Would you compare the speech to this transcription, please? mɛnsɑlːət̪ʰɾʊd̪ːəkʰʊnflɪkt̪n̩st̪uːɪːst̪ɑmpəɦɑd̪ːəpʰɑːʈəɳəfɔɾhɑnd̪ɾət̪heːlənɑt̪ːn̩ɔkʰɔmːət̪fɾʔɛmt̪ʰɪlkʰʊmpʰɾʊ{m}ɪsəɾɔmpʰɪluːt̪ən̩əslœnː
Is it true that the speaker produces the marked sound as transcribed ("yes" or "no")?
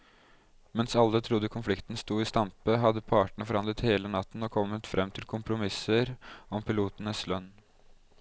yes